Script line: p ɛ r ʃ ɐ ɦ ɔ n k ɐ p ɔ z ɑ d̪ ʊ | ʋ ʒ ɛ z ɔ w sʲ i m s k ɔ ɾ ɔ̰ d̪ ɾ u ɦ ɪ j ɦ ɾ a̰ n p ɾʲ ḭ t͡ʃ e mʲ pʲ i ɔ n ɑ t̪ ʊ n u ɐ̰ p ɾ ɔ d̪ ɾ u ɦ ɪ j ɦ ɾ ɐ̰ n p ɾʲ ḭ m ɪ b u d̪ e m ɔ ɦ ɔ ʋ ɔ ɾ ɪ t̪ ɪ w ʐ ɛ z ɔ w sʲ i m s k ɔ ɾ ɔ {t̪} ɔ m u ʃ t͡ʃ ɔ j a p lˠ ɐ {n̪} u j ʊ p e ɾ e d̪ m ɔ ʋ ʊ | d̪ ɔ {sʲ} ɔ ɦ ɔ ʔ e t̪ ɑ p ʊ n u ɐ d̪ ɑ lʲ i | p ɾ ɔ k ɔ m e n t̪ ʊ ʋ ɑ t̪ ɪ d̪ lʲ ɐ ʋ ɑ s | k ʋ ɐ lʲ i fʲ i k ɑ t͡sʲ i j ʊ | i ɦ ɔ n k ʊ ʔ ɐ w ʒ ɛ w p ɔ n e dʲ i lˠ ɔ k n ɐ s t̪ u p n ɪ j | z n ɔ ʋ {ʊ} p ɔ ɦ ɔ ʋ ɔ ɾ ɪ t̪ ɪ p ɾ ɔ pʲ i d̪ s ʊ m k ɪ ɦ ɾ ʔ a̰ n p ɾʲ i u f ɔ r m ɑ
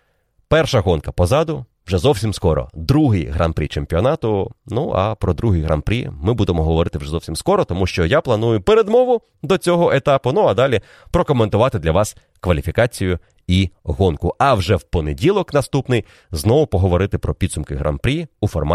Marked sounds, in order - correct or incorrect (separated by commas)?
correct, correct, incorrect, correct